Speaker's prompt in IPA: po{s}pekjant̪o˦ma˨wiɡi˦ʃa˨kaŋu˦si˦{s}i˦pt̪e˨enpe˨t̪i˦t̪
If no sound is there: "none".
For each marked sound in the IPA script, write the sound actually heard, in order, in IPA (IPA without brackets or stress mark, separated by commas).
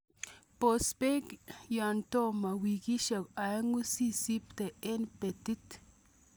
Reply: s, s